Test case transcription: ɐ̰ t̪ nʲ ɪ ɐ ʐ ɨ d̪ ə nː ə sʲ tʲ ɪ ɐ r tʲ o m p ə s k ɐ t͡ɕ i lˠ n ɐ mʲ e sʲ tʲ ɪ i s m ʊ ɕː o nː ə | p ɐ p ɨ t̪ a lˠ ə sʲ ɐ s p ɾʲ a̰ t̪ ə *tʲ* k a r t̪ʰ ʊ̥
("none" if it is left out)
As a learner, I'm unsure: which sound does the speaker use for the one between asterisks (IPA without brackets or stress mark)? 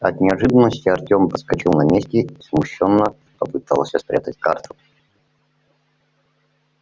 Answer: tʲ